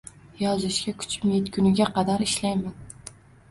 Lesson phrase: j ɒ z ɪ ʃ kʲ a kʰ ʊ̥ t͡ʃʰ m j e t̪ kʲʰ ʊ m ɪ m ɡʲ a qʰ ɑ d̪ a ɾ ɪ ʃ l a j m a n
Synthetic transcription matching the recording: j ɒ z ɪ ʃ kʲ a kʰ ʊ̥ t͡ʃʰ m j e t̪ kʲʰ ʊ n ɪ ɡʲ a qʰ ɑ d̪ a ɾ ɪ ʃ l a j m a n